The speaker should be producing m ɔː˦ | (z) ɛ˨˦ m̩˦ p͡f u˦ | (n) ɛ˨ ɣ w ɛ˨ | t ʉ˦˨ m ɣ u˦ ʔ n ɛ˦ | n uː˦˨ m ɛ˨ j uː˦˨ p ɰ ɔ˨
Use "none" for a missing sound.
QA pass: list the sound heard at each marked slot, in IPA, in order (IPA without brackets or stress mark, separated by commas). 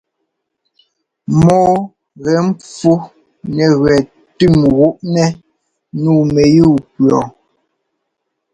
ɣ, n